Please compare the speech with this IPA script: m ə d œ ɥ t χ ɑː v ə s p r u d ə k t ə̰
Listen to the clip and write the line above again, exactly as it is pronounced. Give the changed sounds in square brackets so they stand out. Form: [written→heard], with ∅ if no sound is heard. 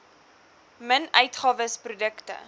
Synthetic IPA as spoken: m ə [d→n] œ ɥ t χ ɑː v ə s p r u d ə k t ə̰